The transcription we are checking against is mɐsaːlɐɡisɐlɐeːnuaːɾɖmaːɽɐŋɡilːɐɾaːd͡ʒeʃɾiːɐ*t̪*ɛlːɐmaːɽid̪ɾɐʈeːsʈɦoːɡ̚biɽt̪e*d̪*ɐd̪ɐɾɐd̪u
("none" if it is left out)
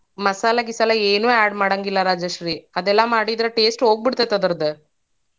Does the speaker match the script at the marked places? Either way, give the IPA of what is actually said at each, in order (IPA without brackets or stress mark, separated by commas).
d̪, t̪